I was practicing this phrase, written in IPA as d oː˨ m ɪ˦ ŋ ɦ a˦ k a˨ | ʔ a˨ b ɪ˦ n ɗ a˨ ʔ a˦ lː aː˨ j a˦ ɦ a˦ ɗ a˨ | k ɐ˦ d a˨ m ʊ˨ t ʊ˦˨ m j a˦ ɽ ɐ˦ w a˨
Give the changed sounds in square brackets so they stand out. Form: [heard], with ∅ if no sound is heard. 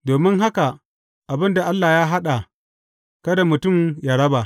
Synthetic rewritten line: d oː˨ m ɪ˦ ŋ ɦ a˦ k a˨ | ʔ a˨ b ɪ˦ n [d] a˨ ʔ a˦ lː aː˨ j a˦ ɦ a˦ ɗ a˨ | k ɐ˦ d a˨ m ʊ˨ t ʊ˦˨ m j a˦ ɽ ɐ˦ [b] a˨